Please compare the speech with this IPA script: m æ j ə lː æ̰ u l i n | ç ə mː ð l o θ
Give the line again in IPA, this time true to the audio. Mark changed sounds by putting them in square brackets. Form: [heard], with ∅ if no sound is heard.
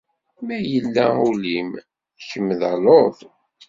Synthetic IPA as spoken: m æ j ə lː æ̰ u l i [m] | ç ə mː ð l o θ